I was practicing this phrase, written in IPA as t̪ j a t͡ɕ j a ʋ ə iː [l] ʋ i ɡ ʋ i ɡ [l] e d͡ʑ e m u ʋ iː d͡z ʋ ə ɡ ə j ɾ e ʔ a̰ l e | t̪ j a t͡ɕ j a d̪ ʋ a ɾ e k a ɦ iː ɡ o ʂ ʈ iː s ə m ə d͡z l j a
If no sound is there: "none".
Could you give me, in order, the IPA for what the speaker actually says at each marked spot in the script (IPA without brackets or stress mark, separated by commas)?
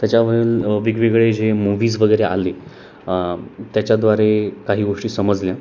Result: l, ɭ